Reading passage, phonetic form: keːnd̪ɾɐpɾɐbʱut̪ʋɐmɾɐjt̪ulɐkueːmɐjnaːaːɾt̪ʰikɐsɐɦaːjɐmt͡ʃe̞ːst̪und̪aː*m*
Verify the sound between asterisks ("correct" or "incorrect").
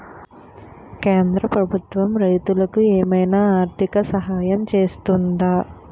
incorrect